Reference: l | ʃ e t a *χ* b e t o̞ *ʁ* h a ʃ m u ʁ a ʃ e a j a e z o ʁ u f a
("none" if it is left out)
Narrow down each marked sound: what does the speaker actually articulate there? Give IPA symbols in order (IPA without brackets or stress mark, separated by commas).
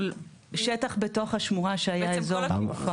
χ, χ